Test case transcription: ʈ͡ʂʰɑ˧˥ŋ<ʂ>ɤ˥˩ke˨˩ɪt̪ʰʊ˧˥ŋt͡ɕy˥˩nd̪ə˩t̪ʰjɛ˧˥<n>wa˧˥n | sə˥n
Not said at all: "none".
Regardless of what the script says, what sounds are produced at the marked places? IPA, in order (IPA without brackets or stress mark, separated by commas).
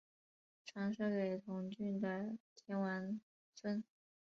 ʂ, n